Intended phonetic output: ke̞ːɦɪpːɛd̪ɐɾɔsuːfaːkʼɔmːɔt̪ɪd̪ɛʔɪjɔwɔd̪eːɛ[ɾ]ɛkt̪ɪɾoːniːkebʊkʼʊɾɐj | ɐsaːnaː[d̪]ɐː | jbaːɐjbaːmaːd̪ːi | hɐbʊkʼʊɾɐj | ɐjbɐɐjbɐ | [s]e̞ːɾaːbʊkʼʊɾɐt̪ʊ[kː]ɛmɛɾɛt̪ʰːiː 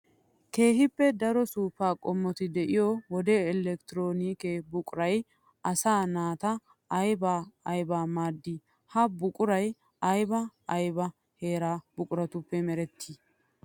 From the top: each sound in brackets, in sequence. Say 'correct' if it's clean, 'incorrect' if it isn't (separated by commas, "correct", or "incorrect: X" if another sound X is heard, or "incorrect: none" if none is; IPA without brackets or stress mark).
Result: incorrect: l, incorrect: t̪, incorrect: h, incorrect: pː